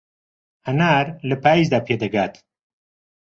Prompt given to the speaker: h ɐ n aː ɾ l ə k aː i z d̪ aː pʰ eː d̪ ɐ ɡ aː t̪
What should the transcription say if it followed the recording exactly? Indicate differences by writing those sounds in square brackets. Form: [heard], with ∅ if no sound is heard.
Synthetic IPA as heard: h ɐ n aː ɾ l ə [p] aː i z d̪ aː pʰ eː d̪ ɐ ɡ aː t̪